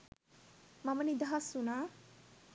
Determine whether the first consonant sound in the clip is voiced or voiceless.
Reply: voiced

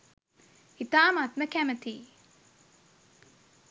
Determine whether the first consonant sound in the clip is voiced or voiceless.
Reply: voiceless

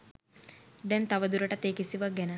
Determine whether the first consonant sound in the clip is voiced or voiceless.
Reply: voiced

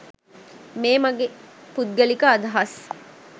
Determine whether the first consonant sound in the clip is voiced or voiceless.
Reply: voiced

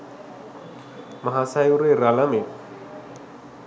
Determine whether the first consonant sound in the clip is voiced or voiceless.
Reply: voiced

